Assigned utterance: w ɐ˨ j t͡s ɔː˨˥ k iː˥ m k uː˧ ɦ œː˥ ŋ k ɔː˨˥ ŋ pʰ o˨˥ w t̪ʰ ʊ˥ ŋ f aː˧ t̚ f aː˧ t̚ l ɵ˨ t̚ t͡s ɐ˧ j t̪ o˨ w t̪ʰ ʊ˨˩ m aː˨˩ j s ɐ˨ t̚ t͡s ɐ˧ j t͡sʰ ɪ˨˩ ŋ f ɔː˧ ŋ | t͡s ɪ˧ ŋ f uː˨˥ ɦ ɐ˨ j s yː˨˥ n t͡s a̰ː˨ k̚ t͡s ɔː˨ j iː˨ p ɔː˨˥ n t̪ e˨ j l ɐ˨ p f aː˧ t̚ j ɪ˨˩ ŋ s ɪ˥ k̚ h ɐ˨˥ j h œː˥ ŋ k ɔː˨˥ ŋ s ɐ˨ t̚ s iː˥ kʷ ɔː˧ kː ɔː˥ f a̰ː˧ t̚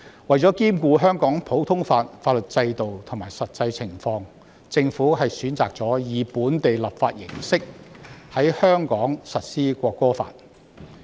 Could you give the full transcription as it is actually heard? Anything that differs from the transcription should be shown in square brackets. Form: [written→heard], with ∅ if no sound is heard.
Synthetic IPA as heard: w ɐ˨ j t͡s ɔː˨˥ k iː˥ m k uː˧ ɦ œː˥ ŋ k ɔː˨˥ ŋ pʰ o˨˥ w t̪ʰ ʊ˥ ŋ f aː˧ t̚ f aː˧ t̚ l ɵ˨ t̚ t͡s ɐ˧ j t̪ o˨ w t̪ʰ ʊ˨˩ m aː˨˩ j s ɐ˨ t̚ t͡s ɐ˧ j t͡sʰ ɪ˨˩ ŋ f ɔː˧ ŋ | t͡s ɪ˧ ŋ f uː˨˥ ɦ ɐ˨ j s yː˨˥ n t͡s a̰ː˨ k̚ t͡s [ɔː˨→ɔː˨˥] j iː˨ p [ɔː˨˥→uː˨˥] n t̪ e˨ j l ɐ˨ p f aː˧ t̚ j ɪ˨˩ ŋ s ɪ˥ k̚ h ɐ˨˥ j h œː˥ ŋ k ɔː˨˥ ŋ s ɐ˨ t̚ s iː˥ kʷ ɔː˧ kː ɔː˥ f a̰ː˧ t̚